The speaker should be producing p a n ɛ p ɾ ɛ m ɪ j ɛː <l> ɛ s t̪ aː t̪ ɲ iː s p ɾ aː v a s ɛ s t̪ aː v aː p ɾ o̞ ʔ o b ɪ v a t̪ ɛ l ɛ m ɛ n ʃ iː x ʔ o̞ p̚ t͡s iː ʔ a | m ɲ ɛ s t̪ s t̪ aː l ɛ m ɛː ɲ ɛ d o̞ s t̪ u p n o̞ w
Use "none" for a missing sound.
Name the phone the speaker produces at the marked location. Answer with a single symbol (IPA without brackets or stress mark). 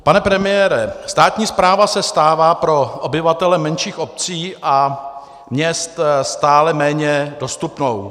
ɾ